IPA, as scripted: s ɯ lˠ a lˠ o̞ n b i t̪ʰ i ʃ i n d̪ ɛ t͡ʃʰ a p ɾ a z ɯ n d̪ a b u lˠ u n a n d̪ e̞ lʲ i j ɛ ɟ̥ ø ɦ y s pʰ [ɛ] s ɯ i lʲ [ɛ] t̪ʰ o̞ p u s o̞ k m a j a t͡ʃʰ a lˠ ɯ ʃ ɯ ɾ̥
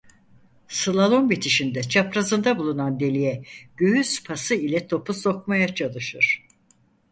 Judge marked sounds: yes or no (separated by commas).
no, yes